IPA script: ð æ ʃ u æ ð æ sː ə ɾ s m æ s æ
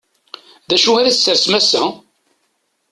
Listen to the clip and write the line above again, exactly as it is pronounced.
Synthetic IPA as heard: ð æ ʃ u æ ð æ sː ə ɾ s m æ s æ